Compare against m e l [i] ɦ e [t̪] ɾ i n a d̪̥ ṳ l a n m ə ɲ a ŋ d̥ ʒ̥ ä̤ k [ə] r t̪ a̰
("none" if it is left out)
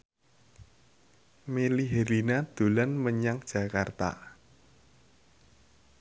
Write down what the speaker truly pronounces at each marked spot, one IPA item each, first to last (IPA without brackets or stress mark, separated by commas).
i, none, a